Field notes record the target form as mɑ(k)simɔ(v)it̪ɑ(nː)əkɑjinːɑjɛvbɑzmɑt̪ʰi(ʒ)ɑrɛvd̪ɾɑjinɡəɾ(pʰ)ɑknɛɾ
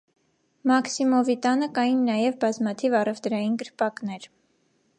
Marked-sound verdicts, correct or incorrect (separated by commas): correct, correct, incorrect, incorrect, incorrect